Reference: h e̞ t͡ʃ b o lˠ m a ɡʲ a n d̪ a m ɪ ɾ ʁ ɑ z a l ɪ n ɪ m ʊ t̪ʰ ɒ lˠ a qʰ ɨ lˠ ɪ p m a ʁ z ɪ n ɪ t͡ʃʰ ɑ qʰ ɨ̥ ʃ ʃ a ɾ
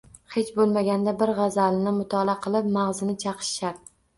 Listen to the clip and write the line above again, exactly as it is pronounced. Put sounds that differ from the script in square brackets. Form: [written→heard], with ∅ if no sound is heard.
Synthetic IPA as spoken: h e̞ t͡ʃ b o lˠ m a ɡʲ a n d̪ a [m→b] ɪ ɾ ʁ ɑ z a l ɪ n ɪ m ʊ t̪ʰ ɒ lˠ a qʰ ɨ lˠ ɪ p m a ʁ z ɪ n ɪ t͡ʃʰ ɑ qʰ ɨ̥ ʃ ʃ a ɾ